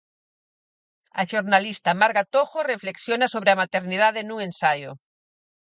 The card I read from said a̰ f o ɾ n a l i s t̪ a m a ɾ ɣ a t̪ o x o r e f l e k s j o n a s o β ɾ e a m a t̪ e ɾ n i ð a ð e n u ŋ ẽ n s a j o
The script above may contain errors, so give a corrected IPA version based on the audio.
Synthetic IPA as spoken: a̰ ʃ o ɾ n a l i s t̪ a m a ɾ ɣ a t̪ o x o r e f l e k s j o n a s o β ɾ e a m a t̪ e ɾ n i ð a ð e n u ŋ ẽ n s a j o

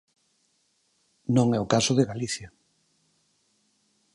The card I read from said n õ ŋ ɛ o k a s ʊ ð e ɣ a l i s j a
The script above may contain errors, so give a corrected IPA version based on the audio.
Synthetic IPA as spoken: n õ ŋ ɛ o k a s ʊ ð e ɣ a l i θ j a

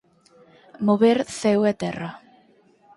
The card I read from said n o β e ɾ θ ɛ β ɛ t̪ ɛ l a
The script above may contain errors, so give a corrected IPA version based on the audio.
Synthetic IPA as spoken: m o β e ɾ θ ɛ w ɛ t̪ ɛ r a

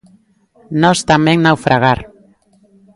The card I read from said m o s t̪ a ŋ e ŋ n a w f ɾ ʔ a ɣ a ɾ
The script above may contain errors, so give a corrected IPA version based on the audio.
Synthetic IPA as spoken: n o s t̪ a m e ŋ n a w f ɾ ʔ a ɣ a ɾ

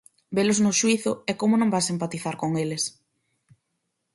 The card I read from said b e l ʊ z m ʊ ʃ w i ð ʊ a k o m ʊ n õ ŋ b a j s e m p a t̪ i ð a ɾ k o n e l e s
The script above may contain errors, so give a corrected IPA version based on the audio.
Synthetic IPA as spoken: b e l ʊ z n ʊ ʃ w i θ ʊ ɛ k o m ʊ n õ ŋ b a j s e m p a t̪ i θ a ɾ k o ŋ e l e s

